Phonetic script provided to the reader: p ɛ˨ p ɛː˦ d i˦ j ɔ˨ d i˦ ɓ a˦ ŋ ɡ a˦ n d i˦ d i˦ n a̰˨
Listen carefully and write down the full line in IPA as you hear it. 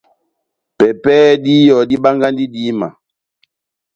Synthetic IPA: p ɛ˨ p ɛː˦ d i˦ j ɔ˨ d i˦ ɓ a˦ ŋ ɡ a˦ n d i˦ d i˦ m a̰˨